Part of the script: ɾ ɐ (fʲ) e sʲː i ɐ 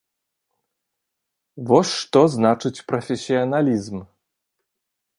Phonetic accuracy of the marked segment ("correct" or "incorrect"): correct